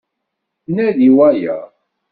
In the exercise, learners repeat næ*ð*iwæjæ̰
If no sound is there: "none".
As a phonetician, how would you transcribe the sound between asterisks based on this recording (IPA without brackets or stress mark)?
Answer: ð